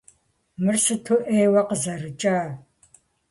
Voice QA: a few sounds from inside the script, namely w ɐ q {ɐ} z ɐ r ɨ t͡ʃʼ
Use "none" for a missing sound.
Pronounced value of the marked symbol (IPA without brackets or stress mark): ə